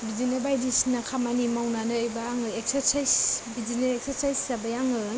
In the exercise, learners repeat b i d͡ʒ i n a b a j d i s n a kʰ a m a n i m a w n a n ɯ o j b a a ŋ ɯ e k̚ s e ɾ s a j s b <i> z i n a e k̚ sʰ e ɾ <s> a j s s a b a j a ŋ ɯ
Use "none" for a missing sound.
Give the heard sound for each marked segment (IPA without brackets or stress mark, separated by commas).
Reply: i, s